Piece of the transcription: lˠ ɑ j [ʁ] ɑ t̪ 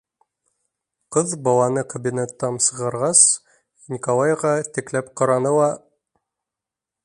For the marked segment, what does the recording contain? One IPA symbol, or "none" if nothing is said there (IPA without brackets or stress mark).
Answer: ʁ